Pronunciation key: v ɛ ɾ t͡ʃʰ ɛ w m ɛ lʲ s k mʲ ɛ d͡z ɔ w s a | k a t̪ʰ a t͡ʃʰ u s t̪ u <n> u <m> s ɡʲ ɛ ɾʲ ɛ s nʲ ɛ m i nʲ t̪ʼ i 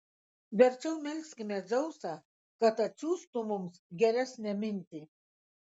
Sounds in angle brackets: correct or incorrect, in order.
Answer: incorrect, correct

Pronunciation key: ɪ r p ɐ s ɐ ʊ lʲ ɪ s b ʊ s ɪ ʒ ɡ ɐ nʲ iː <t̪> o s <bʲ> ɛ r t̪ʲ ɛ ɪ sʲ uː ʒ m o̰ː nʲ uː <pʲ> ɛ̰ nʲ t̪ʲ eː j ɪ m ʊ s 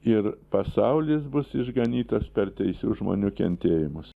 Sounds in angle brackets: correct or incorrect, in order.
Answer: correct, incorrect, incorrect

